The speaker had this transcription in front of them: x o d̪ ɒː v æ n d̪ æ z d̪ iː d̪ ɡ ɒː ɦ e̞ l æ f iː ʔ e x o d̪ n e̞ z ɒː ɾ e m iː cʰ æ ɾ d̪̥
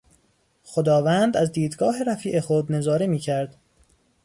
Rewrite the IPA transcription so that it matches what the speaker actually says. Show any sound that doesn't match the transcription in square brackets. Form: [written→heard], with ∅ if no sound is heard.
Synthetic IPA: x o d̪ ɒː v æ n d̪ æ z d̪ iː d̪ ɡ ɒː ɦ e̞ [l→ɾ] æ f iː ʔ e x o d̪ n e̞ z ɒː ɾ e m iː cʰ æ ɾ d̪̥